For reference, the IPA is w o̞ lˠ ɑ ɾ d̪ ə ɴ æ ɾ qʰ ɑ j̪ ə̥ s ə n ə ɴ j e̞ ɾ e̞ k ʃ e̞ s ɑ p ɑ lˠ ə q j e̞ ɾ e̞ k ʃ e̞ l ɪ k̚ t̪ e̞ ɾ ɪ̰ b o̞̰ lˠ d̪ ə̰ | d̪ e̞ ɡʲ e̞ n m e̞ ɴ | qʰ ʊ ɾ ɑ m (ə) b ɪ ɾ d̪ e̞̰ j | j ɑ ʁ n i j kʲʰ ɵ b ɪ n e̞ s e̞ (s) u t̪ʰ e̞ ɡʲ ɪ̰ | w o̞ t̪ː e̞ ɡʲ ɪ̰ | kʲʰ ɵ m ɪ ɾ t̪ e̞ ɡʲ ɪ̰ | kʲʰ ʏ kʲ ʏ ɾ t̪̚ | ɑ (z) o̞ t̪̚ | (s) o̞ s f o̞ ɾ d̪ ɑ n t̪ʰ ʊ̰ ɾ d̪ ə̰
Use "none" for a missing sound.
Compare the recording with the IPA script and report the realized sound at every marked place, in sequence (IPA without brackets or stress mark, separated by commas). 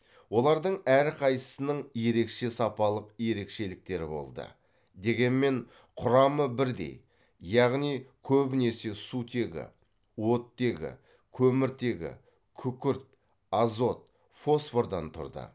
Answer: ə, s, z, f